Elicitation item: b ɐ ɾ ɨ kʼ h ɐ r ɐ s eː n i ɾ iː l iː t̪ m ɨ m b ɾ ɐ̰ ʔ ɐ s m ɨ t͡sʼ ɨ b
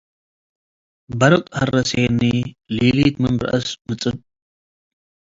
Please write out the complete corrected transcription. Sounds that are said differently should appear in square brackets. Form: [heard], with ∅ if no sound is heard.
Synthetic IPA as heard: b ɐ ɾ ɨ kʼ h ɐ r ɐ s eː n i [l] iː l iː t̪ m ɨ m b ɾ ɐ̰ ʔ ɐ s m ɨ t͡sʼ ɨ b